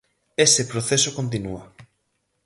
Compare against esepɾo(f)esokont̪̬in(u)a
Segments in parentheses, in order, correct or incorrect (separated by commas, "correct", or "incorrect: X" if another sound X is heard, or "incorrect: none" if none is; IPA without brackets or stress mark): incorrect: θ, correct